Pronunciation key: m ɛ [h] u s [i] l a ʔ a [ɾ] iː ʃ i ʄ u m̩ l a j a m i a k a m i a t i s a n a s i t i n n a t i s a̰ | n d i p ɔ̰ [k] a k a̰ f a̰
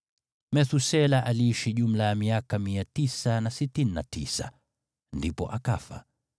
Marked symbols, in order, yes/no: no, no, no, no

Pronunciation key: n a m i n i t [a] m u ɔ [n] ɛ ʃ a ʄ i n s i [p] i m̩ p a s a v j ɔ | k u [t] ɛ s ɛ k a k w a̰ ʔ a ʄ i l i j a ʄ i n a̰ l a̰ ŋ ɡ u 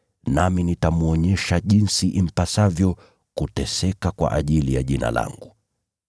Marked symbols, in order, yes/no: yes, no, no, yes

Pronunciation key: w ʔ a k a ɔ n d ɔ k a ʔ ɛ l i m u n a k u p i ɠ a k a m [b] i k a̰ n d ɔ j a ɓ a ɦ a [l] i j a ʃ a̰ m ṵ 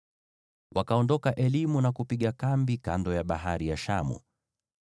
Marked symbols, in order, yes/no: yes, no

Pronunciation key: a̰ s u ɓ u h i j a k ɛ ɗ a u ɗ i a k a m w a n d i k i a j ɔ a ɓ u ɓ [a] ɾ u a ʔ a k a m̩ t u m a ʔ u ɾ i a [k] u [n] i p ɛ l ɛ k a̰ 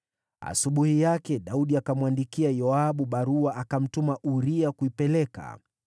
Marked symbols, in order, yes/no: yes, yes, no

